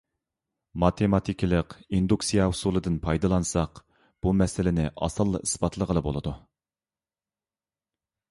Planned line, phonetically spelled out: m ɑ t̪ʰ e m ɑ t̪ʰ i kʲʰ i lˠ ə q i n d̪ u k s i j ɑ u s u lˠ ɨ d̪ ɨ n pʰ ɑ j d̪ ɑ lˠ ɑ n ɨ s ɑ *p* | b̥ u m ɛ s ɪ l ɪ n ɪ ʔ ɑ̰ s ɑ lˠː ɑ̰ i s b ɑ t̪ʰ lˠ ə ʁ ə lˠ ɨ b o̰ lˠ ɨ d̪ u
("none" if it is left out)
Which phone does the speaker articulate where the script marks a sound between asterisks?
q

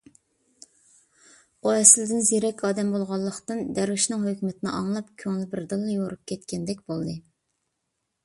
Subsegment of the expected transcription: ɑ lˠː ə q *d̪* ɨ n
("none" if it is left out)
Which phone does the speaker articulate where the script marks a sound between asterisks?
t̪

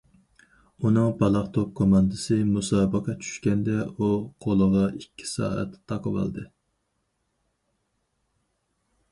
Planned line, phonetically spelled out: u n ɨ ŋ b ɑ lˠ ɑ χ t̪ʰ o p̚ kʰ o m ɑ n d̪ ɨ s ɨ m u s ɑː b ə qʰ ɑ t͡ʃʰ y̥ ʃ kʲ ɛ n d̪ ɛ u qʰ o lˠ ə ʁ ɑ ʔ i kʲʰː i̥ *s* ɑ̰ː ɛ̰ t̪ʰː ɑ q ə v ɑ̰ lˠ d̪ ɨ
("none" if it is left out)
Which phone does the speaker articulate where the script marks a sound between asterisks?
s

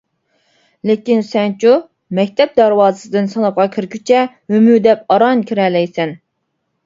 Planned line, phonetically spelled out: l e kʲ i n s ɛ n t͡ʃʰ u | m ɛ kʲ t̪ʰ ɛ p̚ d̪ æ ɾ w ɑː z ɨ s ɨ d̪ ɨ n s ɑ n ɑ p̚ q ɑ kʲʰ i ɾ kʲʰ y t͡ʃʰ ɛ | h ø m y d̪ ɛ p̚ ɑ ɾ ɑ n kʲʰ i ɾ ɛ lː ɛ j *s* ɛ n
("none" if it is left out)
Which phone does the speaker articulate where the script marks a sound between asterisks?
s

